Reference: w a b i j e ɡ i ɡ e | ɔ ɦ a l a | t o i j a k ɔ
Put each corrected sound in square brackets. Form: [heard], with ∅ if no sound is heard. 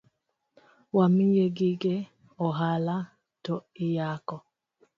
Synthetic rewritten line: w a [m] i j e ɡ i ɡ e | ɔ ɦ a l a | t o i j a k ɔ